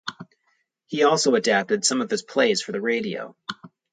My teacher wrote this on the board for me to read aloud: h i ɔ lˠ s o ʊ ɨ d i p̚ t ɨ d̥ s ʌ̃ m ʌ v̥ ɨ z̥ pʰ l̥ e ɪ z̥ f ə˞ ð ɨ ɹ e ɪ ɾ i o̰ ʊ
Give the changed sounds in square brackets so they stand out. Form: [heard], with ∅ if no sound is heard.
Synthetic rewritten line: h i ɔ lˠ s o ʊ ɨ d [æ] p̚ t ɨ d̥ s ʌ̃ m ʌ v̥ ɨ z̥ pʰ l̥ e ɪ z̥ f ə˞ ð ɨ ɹ e ɪ ɾ i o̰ ʊ